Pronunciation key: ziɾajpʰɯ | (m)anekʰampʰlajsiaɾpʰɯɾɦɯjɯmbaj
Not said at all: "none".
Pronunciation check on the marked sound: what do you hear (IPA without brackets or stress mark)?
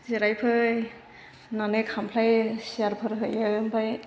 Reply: n